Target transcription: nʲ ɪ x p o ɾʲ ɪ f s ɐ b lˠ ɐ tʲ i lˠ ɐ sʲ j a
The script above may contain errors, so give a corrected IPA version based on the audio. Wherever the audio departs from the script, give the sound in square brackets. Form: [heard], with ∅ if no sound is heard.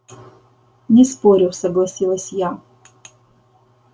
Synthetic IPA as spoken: nʲ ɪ [s] p o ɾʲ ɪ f s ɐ [ɡ] lˠ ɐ [sʲ] i lˠ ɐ sʲ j a